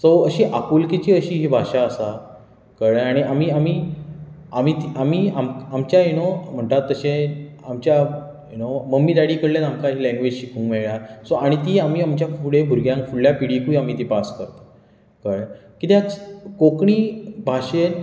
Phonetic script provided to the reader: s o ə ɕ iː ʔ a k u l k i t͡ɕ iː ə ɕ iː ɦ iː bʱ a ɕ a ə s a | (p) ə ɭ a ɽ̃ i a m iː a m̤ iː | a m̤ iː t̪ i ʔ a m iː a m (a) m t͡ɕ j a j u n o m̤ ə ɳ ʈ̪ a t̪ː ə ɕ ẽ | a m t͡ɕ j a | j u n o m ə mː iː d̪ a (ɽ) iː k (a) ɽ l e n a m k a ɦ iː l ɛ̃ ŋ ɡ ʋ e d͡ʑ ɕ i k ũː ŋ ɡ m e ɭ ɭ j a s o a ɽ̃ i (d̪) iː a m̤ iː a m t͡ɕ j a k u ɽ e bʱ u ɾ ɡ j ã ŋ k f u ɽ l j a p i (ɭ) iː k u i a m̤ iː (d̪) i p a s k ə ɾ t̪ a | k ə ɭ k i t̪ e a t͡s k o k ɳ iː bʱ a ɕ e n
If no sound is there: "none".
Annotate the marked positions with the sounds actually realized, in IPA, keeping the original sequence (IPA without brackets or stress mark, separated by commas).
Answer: k, a, ɽ, ə, t̪, ɽ, t̪